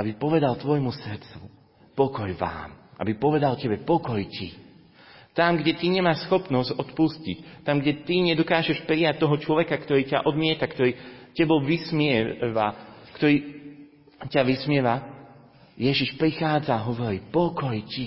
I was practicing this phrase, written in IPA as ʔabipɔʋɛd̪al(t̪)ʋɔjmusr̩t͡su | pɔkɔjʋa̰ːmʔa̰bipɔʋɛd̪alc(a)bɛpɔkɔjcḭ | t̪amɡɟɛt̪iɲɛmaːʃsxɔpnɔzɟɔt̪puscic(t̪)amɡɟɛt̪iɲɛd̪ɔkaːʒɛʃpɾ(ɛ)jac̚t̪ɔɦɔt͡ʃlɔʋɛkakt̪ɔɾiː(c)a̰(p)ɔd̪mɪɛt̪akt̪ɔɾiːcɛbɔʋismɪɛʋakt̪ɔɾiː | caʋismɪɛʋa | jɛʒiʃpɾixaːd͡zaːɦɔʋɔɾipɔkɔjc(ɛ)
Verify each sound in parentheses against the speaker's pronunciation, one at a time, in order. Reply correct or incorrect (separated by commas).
correct, incorrect, correct, incorrect, correct, incorrect, incorrect